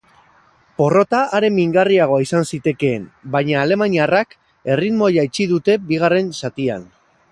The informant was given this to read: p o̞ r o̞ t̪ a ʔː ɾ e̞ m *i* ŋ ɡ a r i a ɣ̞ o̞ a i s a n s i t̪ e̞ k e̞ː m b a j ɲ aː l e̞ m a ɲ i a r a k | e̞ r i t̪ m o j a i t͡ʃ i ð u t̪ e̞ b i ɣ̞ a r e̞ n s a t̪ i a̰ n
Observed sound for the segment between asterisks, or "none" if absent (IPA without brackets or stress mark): i